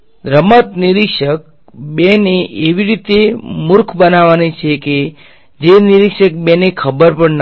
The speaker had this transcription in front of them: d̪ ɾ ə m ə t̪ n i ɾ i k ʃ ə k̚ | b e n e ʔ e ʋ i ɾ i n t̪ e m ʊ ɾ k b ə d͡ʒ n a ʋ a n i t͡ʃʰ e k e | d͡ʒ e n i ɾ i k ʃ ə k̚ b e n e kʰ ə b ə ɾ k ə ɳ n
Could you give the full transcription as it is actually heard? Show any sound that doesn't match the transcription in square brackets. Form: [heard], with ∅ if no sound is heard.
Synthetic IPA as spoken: d̪ ɾ ə m ə t̪ n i ɾ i k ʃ ə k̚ | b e n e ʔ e ʋ i ɾ i [∅] t̪ e m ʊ ɾ [kʰ] b ə [∅] n a ʋ a n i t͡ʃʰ e k e | d͡ʒ e n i ɾ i k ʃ ə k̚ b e n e kʰ ə b ə ɾ [p] ə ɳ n